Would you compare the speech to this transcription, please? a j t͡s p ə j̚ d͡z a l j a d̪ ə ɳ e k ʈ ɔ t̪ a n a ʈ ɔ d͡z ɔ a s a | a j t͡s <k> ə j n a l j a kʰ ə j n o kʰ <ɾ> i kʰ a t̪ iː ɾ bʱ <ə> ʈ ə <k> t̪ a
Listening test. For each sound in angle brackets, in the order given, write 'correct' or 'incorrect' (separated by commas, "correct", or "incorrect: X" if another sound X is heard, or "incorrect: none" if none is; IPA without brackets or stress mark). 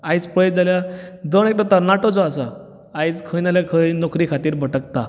incorrect: kʰ, correct, correct, correct